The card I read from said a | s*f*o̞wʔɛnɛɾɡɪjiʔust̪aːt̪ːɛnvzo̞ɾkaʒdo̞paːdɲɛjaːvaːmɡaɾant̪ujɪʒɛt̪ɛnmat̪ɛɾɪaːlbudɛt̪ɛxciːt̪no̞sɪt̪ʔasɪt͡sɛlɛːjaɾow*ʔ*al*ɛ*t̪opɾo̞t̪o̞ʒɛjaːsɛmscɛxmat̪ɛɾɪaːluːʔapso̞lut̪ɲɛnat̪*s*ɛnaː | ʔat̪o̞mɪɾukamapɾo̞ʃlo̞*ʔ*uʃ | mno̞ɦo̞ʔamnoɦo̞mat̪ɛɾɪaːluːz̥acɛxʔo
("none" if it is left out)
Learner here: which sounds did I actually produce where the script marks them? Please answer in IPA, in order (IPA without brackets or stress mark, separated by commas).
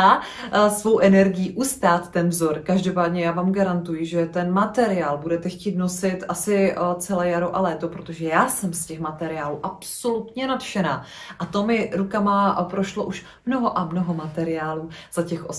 v, ʔ, ɛː, ʃ, ʔ